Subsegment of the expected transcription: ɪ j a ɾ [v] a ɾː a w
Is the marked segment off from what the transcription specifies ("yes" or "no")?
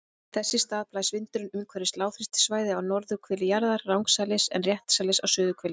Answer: yes